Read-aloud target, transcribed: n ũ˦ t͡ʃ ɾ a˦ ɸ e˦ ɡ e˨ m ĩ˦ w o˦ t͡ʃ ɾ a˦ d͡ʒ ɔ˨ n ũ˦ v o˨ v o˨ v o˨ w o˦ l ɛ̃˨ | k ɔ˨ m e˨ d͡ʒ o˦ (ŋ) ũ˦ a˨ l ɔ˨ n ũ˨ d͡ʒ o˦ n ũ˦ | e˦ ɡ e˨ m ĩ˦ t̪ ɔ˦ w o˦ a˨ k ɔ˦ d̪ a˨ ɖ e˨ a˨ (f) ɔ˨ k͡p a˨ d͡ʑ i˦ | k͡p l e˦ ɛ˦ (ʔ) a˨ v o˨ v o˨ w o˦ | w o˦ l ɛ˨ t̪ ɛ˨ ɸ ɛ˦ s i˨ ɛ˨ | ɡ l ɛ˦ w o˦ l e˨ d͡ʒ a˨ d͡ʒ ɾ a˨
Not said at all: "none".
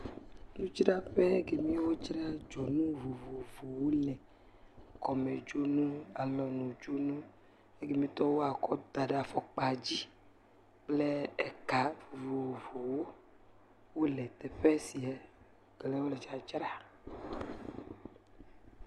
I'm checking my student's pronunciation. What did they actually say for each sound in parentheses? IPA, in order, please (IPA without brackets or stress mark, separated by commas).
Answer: n, f, k